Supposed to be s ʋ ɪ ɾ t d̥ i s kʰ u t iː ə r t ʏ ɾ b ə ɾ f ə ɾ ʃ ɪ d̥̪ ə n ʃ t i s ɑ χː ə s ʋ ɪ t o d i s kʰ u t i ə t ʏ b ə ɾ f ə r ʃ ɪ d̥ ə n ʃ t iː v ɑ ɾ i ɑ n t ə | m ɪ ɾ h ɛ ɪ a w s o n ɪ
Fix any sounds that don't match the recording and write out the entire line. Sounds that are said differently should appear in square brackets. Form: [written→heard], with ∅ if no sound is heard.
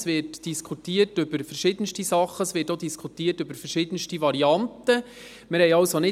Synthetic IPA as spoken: s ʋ ɪ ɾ t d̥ i s kʰ u t iː ə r t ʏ [ɾ→∅] b ə ɾ f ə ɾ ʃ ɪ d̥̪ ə n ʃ t i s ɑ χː ə s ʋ ɪ t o d i s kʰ u t [i→iː] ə t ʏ b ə ɾ f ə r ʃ ɪ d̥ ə n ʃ t [iː→i] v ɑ ɾ i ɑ n t ə | m ɪ ɾ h ɛ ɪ [a→ɑ] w s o n ɪ